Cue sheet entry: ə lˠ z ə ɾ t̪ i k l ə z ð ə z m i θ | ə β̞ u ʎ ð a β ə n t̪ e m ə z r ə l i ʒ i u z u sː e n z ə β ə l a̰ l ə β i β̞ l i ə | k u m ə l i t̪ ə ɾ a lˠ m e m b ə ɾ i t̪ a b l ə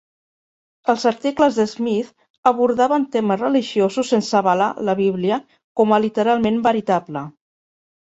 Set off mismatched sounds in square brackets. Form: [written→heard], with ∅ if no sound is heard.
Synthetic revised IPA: ə lˠ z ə ɾ t̪ i k l ə z ð ə z m i θ | ə β̞ u [ʎ→ɾ] ð a β ə n t̪ e m ə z r ə l i ʒ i [u→o] z u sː e n [z→s] ə β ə l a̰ l ə β i β̞ l i ə | k [u→ɔ] m ə l i t̪ ə ɾ a lˠ m e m b ə ɾ i t̪ a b l ə